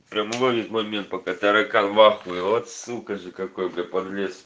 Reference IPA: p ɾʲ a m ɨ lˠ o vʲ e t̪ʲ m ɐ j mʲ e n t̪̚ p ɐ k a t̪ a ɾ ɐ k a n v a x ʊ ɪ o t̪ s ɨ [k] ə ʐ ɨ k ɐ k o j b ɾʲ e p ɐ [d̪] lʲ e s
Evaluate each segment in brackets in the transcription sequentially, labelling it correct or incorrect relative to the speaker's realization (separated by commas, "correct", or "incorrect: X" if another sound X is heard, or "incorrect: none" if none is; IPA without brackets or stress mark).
correct, correct